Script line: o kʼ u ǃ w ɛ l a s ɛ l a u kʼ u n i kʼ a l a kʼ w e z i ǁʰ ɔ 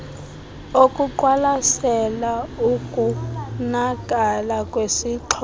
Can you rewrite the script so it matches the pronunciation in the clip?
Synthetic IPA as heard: o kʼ u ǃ w a l a s ɛ l a u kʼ u n a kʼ a l a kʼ w e s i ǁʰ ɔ